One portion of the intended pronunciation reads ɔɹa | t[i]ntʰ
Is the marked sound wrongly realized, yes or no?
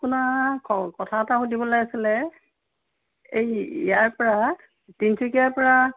no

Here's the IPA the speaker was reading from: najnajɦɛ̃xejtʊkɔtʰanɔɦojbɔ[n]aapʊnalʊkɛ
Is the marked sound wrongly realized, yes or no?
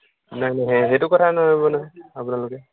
no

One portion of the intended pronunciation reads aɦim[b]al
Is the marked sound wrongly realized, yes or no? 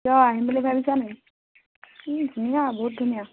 no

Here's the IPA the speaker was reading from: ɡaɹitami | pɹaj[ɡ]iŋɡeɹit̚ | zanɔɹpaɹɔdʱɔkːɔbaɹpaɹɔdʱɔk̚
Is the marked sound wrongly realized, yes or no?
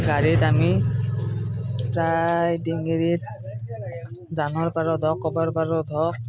yes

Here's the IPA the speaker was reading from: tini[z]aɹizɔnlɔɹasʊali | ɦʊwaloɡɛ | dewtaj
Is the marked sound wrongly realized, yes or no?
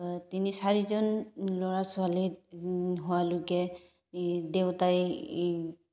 yes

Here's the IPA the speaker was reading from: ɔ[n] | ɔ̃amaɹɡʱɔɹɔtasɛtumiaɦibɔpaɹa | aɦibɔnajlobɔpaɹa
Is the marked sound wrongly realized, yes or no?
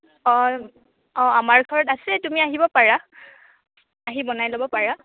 yes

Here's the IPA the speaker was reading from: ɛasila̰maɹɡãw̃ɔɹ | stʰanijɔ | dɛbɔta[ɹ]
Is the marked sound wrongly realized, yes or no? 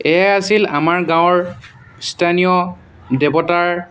no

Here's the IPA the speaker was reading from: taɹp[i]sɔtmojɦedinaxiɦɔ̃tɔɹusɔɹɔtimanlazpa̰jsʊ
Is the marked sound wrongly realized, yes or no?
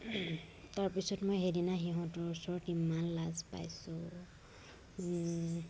no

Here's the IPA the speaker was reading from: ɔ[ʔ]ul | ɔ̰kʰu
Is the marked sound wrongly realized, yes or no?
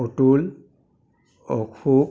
yes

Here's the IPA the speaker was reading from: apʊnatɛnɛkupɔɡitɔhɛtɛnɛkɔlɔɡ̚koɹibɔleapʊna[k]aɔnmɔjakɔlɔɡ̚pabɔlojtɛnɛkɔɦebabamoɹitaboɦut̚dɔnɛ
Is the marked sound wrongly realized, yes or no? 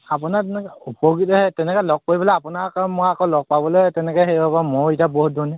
no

